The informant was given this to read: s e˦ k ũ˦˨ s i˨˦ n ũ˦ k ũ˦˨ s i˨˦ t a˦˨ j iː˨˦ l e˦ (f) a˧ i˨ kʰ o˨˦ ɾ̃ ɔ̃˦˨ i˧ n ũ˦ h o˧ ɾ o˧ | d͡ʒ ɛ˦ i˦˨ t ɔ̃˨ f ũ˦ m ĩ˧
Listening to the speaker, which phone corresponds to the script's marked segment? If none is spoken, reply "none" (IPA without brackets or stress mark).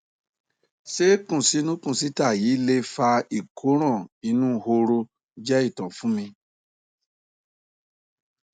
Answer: f